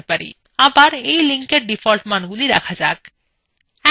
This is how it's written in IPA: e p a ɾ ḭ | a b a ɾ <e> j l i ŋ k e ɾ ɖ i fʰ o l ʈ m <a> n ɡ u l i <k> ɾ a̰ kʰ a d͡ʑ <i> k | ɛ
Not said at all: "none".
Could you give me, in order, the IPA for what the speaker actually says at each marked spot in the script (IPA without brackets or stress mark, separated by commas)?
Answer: e, a, none, a